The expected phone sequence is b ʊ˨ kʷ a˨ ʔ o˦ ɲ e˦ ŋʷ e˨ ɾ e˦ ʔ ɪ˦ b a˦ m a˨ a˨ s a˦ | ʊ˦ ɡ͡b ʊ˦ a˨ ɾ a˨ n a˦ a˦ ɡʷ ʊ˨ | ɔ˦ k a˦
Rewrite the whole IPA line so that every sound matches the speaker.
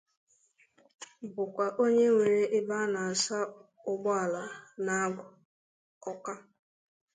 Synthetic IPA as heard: b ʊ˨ kʷ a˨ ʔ o˦ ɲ e˦ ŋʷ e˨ ɾ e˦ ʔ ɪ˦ b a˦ n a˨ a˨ s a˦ | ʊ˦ ɡ͡b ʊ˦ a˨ l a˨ n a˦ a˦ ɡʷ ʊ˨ | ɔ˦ k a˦